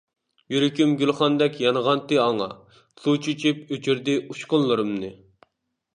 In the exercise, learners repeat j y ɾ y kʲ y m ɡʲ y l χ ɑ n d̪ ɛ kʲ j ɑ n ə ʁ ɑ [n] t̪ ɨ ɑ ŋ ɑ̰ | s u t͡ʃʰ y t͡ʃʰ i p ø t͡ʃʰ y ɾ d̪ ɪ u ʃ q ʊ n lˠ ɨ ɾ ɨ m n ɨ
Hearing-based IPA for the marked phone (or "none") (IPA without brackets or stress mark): n